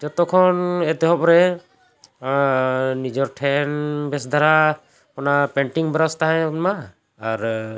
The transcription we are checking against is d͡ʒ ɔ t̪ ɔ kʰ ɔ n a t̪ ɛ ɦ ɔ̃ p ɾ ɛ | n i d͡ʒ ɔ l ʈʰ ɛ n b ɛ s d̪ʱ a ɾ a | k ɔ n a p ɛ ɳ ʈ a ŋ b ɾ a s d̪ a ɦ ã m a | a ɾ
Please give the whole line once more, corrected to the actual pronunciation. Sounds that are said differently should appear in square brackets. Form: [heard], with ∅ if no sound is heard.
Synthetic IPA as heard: d͡ʒ ɔ t̪ ɔ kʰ ɔ n [ɛ] t̪ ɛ ɦ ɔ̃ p ɾ ɛ | n i d͡ʒ ɔ [ɾ] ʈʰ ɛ n b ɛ s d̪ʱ a ɾ a | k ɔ n a p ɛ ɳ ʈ [i] ŋ b ɾ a s [t̪] a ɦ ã m a | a ɾ